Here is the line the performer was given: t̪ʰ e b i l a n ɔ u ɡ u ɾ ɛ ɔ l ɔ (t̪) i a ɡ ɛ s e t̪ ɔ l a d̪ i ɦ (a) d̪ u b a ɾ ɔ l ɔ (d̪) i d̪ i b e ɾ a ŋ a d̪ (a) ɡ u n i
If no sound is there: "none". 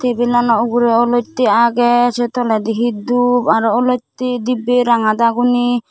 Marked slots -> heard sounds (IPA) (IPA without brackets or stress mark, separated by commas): t̪, i, t̪, a